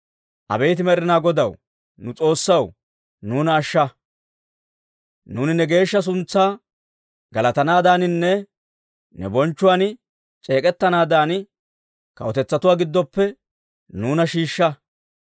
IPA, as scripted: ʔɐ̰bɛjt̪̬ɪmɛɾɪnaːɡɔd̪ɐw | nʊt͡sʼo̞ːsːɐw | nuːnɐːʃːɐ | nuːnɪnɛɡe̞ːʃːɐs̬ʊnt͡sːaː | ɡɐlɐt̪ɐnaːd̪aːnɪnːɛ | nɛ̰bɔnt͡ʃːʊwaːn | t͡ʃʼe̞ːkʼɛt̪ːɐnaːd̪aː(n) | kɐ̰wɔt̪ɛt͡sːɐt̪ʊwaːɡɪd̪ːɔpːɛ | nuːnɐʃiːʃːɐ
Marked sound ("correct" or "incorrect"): correct